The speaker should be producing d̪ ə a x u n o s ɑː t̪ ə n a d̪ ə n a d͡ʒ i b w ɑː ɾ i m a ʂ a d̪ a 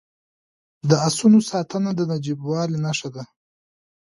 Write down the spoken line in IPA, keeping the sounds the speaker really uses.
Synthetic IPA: d̪ ə a s u n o s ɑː t̪ ə n a d̪ ə n a d͡ʒ i b w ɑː l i n a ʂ a d̪ a